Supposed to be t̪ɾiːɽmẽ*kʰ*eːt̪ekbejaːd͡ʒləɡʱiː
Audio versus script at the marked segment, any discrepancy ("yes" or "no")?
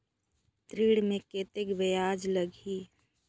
yes